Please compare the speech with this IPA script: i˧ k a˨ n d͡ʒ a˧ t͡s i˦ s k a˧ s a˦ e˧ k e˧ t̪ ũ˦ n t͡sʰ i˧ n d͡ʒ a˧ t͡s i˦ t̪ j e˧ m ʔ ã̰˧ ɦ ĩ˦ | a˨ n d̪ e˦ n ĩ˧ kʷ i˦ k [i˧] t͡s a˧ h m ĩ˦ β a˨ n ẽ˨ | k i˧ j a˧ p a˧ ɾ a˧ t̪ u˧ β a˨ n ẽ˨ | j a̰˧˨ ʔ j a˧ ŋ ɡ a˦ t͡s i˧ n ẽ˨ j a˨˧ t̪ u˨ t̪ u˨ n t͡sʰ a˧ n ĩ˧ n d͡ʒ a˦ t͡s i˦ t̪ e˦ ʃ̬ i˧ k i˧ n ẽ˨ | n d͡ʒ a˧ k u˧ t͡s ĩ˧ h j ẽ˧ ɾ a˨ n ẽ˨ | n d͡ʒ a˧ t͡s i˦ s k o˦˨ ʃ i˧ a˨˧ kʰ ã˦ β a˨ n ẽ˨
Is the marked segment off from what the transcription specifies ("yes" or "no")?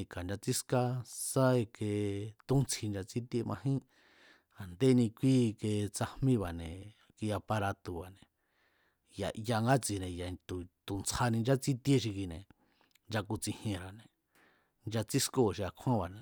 yes